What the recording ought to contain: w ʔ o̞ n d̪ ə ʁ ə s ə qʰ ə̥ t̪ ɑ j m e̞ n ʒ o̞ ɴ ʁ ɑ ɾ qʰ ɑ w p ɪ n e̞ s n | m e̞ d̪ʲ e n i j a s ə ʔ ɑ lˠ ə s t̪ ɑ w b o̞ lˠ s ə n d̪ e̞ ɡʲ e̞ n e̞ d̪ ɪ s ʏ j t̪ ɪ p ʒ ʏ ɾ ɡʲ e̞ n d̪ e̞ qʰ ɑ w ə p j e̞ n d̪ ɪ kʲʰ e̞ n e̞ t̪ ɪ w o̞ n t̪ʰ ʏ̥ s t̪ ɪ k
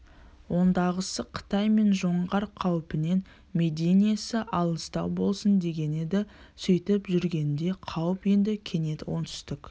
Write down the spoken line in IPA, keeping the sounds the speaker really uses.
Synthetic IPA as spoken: w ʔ o̞ n d̪ ɑ ʁ ə s ə qʰ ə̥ t̪ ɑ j m e̞ n ʒ o̞ ɴ ʁ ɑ ɾ qʰ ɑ w p ɪ n e̞ n | m e̞ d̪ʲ e n i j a s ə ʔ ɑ lˠ ə s t̪ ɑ w b o̞ lˠ s ə n d̪ e̞ ɡʲ e̞ n e̞ d̪ ɪ s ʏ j t̪ ɪ p ʒ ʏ ɾ ɡʲ e̞ n d̪ e̞ qʰ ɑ w ə p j e̞ n d̪ ɪ kʲʰ e̞ n e̞ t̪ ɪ w o̞ n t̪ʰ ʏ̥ s t̪ ɪ k

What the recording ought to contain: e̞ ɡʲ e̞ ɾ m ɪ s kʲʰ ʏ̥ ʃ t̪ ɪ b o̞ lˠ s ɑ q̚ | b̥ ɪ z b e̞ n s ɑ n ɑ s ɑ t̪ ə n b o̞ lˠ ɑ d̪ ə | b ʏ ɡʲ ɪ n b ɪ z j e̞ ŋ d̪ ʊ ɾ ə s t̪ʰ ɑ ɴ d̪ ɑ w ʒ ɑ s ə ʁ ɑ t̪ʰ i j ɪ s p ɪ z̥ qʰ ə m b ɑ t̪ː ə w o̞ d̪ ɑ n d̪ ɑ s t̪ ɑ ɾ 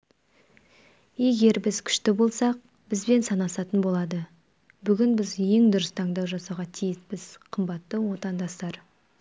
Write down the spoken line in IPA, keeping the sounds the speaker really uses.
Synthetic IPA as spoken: e̞ ɡʲ e̞ ɾ b ɪ z kʲʰ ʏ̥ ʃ t̪ ɪ b o̞ lˠ s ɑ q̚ | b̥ ɪ z b e̞ n s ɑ n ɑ s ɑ t̪ ə n b o̞ lˠ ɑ d̪ ə | b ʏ ɡʲ ɪ n b ɪ z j e̞ ŋ d̪ ʊ ɾ ə s t̪ʰ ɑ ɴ d̪ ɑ w ʒ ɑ s ɑ ʁ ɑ t̪ʰ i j ɪ s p ɪ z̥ qʰ ə m b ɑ t̪ː ə w o̞ t̪ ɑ n d̪ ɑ s t̪ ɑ ɾ

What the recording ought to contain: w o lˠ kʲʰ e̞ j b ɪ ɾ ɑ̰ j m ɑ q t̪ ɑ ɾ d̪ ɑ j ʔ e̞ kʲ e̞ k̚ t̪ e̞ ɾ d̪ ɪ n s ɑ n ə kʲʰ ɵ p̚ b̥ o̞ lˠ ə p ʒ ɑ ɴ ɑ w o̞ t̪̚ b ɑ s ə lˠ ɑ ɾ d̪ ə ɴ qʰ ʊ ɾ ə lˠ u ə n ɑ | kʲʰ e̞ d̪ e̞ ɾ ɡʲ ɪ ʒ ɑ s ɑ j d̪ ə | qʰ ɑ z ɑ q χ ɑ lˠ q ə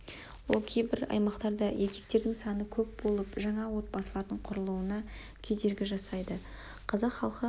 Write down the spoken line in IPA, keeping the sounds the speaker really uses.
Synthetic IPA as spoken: w o lˠ kʲʰ e̞ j b ɪ ɾ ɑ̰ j m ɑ q t̪ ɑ ɾ d̪ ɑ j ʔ e̞ kʲ e̞ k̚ t̪ e̞ ɾ d̪ ɪ ŋ s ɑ n ə kʲʰ ɵ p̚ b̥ o̞ lˠ ə p ʒ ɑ ɴ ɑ w o̞ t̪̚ b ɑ s ə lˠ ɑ ɾ d̪ ə ɴ qʰ ʊ ɾ ə lˠ u ə n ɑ | kʲʰ e̞ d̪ e̞ ɾ ɡʲ ɪ ʒ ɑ s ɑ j d̪ ə | qʰ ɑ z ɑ q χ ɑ lˠ q ə

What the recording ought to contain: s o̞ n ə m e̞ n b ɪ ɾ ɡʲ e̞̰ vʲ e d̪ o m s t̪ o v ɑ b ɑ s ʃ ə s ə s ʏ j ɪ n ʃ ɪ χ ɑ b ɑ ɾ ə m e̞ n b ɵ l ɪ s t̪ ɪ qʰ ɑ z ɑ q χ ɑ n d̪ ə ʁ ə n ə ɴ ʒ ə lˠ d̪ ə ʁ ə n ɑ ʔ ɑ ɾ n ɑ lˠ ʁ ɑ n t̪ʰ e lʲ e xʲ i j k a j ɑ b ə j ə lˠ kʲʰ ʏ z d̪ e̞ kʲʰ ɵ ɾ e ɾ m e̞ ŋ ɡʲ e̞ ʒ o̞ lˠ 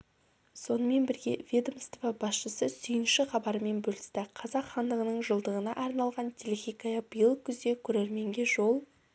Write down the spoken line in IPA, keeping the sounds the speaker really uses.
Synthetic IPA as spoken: s o̞ n ə m e̞ n b ɪ ɾ ɡʲ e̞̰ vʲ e d̪ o m s t̪ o v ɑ b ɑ s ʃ ə s ə s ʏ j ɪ n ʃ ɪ χ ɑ b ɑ ɾ ə m e̞ n b ɵ l ɪ s t̪ ɪ qʰ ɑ z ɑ q χ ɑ n d̪ ə ʁ ə n ə ɴ ʒ ə lˠ d̪ ə ʁ ə n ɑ ʔ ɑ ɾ n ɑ lˠ ʁ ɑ n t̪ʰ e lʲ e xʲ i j k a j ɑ b ə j ə lˠ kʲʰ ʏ z d̪ e̞ kʲʰ ɵ ɾ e ɾ m e̞ ŋ ɡʲ e̞ ʒ o̞ lˠ

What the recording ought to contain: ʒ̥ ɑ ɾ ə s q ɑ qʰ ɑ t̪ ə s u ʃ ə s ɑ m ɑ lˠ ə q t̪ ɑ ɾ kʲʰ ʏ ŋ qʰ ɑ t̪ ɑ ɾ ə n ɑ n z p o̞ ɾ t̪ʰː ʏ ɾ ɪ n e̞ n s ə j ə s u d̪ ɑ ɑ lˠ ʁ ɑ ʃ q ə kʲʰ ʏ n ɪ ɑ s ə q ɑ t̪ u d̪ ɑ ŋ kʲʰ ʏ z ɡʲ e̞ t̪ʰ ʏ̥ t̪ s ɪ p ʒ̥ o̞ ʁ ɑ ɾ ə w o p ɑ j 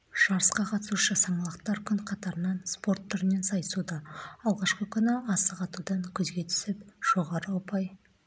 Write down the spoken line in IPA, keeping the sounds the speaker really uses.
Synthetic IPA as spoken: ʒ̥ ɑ ɾ ə s q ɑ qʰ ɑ t̪ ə s u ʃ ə s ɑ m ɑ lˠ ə q t̪ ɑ ɾ kʲʰ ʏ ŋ qʰ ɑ t̪ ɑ ɾ ə n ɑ n s p o̞ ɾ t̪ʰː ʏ ɾ ɪ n e̞ n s ɑ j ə s u d̪ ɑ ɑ lˠ ʁ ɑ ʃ q ə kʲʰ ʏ n ɪ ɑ s ə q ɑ t̪ u d̪ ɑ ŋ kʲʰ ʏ z ɡʲ e̞ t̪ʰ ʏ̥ s ɪ p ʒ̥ o̞ ʁ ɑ ɾ ə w o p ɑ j

